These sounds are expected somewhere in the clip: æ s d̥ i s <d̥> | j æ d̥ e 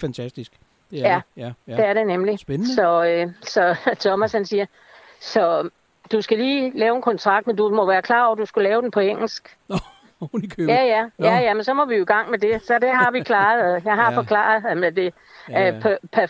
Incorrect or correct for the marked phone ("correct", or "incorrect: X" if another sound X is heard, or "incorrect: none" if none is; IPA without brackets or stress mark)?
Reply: incorrect: ɡ̥